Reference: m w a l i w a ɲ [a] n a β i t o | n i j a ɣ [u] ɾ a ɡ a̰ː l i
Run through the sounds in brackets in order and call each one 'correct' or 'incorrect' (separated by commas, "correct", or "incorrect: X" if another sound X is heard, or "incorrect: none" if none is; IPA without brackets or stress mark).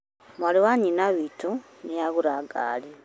incorrect: i, correct